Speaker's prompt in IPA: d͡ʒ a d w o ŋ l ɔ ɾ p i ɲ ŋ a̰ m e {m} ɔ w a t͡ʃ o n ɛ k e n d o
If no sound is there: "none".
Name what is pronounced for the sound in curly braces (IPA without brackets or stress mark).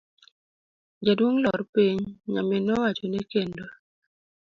n